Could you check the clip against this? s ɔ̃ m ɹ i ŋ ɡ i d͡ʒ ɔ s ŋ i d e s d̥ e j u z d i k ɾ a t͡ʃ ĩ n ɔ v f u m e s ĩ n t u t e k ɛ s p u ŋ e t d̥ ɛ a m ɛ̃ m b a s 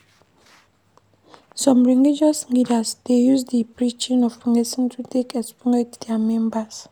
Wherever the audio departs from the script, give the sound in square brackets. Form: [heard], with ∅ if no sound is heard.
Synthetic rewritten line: s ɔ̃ m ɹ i ŋ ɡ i d͡ʒ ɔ s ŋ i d [a] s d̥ e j u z d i [p] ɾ [i] t͡ʃ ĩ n ɔ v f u [ŋ] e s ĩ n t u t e k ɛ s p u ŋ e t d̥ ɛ a m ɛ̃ m b a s